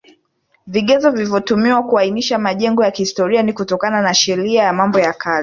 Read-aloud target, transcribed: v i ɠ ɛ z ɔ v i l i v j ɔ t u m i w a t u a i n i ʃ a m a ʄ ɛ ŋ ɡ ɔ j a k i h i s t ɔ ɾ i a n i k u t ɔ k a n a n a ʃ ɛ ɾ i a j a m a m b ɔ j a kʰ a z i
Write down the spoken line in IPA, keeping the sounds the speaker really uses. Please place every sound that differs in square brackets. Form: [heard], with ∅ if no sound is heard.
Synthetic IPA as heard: v i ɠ ɛ z ɔ v i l i v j ɔ t u m i w a [k] u a i n i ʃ a m a ʄ ɛ ŋ ɡ ɔ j a k i h i s t ɔ ɾ i a n i k u t ɔ k a n a n a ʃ ɛ ɾ i a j a m a m b ɔ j a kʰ a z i

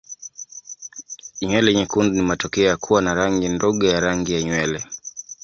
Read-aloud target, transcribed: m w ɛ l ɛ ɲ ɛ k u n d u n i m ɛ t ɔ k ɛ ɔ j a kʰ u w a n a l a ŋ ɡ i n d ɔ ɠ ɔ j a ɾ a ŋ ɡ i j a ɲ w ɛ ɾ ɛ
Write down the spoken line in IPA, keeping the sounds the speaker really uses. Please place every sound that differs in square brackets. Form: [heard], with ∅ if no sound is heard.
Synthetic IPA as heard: [ɲ] w ɛ l ɛ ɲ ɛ k u n d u n i m [a] t ɔ k ɛ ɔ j a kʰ u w a n a [ɾ] a ŋ ɡ i n d ɔ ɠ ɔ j a ɾ a ŋ ɡ i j a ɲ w ɛ [l] ɛ

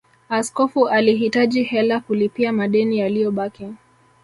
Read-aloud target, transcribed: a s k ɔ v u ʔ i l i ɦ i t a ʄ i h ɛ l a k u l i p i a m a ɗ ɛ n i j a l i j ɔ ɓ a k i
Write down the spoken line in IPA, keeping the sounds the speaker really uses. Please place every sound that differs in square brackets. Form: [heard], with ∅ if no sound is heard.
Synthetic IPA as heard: a s k ɔ [f] u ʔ [a] l i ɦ i t a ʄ i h ɛ l a k u l i p i a m a ɗ ɛ n i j a l i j ɔ ɓ a k i

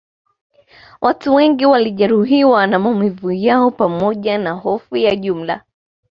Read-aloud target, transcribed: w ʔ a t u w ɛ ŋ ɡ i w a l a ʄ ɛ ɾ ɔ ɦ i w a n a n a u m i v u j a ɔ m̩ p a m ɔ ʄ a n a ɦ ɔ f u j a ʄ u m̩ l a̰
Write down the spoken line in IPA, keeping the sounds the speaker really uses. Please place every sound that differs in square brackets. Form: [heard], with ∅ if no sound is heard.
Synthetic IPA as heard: w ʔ a t u w ɛ ŋ ɡ i w a l [i] ʄ ɛ ɾ [u] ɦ i w a n a [m] a u m i v u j a ɔ [∅] p a m ɔ ʄ a n a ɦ ɔ f u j a ʄ u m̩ l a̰

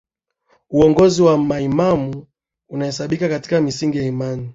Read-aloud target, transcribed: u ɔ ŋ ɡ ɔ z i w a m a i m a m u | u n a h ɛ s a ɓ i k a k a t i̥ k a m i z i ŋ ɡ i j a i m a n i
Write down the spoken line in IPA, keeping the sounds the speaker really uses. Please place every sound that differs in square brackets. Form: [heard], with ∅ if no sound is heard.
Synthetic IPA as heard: u ɔ ŋ ɡ ɔ z i w a m a i m a m u | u n a h ɛ s a ɓ i k a k a t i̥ k a m i [s] i ŋ ɡ i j a i m a n i

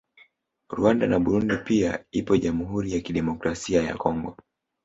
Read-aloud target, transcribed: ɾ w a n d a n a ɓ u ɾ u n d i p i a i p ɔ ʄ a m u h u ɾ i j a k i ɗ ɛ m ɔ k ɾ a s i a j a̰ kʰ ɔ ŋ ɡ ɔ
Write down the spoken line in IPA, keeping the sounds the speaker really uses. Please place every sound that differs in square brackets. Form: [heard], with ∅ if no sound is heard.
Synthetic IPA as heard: ɾ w a n d a n a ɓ u ɾ u n d i p i a i p ɔ ʄ a m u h u ɾ i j a k i ɗ ɛ m ɔ k ɾ a s i a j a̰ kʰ ɔ ŋ ɡ ɔ

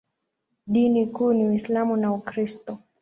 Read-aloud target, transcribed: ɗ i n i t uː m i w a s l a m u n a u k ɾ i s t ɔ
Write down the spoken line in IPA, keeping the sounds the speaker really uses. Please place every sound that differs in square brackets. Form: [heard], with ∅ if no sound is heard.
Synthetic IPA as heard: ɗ i n i [k] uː [n] i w [i] s l a m u n a u k ɾ i s t ɔ

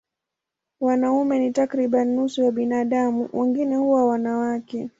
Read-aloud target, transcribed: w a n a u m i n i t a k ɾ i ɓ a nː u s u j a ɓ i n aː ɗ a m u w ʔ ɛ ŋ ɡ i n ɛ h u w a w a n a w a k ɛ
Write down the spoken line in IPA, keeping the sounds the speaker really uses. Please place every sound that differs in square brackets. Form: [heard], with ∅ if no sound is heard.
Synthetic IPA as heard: w a n a u m [ɛ] n i t a k ɾ i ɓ a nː u s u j a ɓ i n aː ɗ a m u w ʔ ɛ ŋ ɡ i n ɛ h u w a w a n a w a k ɛ

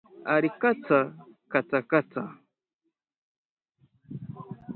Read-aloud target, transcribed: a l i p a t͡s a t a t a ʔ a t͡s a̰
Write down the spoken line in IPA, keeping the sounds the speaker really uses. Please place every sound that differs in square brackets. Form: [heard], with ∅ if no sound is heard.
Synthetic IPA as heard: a [ɾ] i [k] a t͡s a [k] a [t͡s] a [k] a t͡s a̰

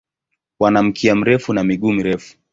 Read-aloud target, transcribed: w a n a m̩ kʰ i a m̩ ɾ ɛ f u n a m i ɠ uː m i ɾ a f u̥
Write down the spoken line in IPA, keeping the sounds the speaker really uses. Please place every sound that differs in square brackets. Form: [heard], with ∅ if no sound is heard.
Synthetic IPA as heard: w a n a m̩ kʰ i a m̩ ɾ ɛ f u n a m i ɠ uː m i ɾ [ɛ] f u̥

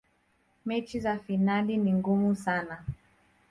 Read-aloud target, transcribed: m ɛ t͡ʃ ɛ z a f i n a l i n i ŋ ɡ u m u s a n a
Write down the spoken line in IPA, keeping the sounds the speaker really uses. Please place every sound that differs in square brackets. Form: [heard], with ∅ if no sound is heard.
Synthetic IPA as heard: m ɛ t͡ʃ [i] z a f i n a l i n i ŋ ɡ u m u s a n a

